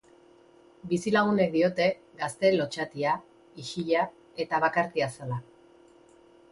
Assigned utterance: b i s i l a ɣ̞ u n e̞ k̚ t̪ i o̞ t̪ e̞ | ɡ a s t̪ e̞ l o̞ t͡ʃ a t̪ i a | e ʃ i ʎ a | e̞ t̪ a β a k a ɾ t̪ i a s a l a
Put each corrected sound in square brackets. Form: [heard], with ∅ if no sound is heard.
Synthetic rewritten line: b i s i l a ɣ̞ u n e̞ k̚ [d̪] i o̞ t̪ e̞ | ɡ a s t̪ e̞ l o̞ t͡ʃ a t̪ i a | [i] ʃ i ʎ a | e̞ t̪ a β a k a ɾ t̪ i a s a l a